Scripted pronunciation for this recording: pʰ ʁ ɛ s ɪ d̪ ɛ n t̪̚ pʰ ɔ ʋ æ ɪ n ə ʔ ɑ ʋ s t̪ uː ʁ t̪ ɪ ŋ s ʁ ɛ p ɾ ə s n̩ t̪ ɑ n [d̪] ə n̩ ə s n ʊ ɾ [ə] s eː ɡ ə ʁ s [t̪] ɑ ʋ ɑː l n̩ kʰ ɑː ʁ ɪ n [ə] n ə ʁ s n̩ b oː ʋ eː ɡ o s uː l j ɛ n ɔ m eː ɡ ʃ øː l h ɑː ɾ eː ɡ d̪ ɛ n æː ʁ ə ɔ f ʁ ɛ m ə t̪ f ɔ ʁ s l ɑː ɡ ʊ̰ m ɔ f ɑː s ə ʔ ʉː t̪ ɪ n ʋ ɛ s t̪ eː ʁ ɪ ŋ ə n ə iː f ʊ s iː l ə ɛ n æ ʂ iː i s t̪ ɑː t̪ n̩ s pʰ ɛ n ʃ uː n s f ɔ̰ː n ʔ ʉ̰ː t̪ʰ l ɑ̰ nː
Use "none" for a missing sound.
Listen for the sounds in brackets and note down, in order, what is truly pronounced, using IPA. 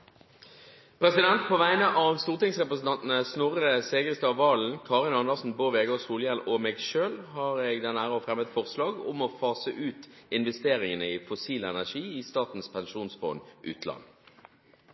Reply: t̪, ə, t̪, ɑ

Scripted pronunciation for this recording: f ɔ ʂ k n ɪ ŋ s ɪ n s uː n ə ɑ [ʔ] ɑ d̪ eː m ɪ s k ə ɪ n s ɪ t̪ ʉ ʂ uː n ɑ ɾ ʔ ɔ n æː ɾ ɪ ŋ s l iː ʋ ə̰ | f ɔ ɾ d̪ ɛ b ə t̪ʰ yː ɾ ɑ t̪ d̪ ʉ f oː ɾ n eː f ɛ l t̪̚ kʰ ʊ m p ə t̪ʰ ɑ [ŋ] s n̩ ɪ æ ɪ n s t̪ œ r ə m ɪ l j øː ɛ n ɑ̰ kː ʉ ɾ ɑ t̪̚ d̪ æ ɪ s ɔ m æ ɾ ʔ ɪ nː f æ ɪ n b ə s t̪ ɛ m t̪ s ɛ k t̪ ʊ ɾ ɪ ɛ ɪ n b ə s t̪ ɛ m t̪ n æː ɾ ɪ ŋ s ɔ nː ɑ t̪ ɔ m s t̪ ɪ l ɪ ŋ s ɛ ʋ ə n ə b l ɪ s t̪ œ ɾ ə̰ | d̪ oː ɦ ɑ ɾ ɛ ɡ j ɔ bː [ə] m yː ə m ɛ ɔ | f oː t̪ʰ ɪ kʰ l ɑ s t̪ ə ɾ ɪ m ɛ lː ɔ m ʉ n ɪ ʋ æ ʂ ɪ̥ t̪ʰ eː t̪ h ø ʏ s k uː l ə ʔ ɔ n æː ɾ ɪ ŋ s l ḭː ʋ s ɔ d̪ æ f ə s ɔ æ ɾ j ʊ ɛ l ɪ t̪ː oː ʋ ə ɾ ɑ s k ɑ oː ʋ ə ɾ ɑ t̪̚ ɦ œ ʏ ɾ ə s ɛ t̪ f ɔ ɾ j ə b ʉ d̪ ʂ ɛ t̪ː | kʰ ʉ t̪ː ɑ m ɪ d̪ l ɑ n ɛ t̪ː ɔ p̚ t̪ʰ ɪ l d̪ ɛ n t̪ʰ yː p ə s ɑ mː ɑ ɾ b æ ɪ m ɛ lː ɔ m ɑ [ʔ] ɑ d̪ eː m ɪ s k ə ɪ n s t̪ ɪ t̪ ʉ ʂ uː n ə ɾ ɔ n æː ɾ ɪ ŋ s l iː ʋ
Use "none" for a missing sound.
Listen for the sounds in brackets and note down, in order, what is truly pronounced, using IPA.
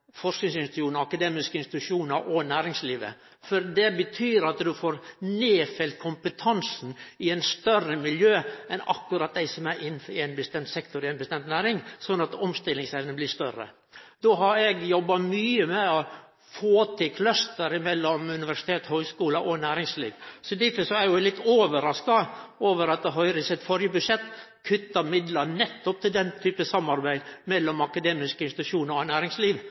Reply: k, n, ɑ, k

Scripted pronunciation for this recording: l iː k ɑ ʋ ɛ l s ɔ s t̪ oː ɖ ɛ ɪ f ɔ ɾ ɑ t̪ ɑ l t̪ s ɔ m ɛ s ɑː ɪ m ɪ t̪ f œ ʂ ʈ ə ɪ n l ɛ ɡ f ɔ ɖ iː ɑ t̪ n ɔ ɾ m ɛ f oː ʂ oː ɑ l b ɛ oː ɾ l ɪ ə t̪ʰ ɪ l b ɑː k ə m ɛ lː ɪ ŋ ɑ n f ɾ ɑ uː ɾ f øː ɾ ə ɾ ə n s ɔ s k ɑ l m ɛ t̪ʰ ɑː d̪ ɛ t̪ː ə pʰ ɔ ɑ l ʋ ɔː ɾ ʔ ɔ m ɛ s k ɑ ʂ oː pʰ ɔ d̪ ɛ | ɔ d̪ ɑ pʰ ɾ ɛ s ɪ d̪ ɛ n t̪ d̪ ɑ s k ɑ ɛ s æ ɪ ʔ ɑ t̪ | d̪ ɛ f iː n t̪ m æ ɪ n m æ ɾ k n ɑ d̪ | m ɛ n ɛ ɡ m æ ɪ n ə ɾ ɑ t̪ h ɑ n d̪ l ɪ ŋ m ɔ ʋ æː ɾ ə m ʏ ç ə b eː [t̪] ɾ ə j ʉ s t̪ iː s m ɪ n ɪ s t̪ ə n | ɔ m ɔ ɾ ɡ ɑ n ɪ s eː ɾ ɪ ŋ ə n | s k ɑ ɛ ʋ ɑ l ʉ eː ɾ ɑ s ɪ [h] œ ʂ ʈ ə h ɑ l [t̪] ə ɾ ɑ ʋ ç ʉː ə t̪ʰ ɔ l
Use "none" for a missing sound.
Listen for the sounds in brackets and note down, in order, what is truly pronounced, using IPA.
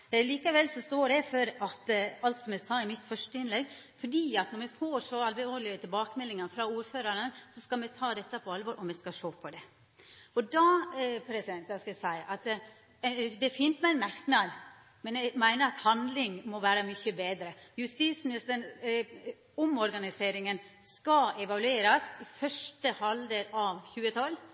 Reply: d̪, f, d̪

